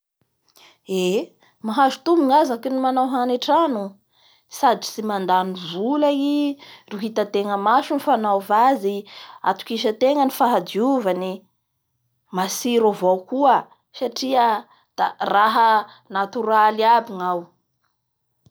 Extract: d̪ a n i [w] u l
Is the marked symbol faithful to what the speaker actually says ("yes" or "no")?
no